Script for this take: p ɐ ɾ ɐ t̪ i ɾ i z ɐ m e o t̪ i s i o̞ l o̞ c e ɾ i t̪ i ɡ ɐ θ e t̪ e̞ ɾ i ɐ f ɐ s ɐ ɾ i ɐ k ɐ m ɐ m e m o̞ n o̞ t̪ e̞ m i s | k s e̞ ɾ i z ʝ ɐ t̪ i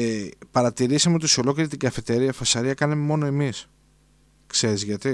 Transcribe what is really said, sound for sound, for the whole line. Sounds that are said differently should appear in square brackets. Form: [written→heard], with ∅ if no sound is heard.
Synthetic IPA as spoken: p ɐ ɾ ɐ t̪ i ɾ i [z→s] ɐ m e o t̪ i s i o̞ l o̞ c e ɾ i t̪ i ɡ ɐ [θ→f] e t̪ e̞ ɾ i ɐ f ɐ s ɐ ɾ i ɐ k ɐ [m→n] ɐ m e m o̞ n o̞ [t̪→∅] e̞ m i s | k s e̞ ɾ i z ʝ ɐ t̪ i